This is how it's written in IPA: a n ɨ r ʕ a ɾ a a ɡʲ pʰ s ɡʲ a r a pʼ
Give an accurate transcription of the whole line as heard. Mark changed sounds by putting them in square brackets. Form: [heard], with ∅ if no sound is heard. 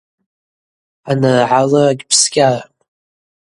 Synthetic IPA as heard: a n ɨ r ʕ a [l] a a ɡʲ pʰ s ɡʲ a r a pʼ